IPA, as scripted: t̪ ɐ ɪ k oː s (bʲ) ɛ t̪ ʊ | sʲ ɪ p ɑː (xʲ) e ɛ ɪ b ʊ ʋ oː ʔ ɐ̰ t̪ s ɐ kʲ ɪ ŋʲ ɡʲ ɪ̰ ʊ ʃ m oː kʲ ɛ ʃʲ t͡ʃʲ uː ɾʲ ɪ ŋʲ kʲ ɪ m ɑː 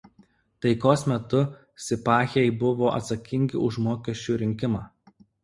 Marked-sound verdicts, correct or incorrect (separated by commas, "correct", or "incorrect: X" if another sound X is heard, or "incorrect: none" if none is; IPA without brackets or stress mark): incorrect: mʲ, correct